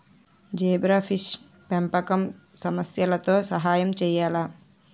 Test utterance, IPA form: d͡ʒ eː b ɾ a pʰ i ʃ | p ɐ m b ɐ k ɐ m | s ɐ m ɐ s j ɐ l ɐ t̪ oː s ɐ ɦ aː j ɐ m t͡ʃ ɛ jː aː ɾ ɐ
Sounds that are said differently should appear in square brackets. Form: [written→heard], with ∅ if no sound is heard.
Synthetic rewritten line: d͡ʒ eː b ɾ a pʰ i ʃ | p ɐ m [b→p] ɐ k ɐ m | s ɐ m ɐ s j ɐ l ɐ t̪ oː s ɐ ɦ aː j ɐ m t͡ʃ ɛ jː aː [ɾ→l] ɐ